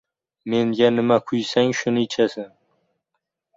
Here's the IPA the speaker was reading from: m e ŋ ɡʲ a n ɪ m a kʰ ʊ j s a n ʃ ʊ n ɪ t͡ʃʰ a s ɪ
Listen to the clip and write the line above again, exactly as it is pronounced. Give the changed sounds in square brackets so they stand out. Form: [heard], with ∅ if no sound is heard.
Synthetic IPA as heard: m e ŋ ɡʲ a n ɪ m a kʰ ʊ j s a [ŋ] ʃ ʊ n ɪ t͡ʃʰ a s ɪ